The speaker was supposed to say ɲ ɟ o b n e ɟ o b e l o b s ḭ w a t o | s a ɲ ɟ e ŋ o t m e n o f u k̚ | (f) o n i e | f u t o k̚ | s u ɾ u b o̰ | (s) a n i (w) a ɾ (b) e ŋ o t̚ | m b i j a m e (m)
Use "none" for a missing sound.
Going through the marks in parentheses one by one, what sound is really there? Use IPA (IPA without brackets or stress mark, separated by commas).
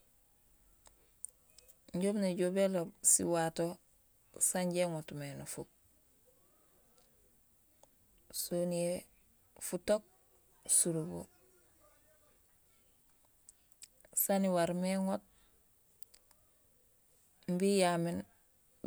s, s, w, m, n